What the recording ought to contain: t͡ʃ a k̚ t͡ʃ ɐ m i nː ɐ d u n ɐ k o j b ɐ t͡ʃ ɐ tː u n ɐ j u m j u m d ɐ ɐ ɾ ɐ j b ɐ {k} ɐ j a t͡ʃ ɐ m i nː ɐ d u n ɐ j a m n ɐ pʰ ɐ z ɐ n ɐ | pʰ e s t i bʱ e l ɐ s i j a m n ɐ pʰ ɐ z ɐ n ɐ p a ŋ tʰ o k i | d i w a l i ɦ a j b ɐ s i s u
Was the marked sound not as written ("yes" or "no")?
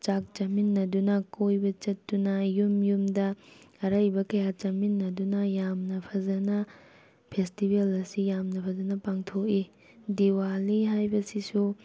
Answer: no